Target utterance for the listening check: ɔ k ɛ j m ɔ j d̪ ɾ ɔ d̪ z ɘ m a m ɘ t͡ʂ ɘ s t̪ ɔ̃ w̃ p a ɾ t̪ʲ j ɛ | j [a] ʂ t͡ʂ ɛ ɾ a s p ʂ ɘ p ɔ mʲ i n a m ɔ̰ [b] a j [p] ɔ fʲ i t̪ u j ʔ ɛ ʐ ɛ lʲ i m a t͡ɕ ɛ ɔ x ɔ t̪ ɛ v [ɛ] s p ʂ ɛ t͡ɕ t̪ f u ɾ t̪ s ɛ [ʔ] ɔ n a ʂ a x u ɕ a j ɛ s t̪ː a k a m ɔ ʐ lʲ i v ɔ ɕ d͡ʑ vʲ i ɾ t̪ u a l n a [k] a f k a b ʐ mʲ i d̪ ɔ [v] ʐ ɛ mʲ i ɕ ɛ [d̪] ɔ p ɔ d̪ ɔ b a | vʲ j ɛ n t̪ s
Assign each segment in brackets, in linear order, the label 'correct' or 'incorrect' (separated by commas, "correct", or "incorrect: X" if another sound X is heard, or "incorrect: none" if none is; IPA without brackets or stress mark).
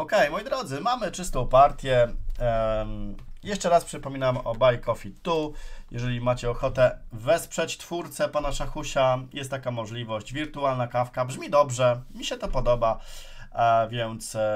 incorrect: ɛ, correct, incorrect: k, correct, incorrect: p, correct, incorrect: b, incorrect: t̪